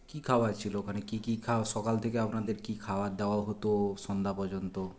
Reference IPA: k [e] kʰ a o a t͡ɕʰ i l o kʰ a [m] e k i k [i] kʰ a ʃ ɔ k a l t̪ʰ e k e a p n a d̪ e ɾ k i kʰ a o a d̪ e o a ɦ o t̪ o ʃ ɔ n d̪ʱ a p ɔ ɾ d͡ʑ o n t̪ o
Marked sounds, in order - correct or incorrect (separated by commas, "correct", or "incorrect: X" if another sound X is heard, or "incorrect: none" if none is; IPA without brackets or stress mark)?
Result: incorrect: i, incorrect: n, correct